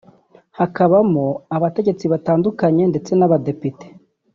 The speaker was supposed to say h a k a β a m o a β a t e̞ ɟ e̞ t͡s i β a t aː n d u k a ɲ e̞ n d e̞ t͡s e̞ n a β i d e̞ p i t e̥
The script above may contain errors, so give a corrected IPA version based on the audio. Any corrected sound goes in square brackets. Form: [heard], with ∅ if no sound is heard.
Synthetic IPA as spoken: h a k a β a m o a β a t e̞ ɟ e̞ t͡s i β a t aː n d u k a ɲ e̞ n d e̞ t͡s e̞ n a β [a] d e̞ p i t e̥